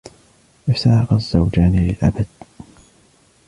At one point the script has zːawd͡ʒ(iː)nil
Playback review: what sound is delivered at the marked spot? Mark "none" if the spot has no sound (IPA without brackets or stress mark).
aː